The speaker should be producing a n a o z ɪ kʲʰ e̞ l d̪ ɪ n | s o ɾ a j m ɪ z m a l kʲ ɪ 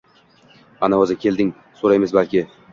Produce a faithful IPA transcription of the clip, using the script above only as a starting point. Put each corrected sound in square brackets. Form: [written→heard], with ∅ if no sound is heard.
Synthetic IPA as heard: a n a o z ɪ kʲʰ e̞ l d̪ ɪ [n→ŋ] | s o ɾ a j m ɪ z [m→b] a l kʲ ɪ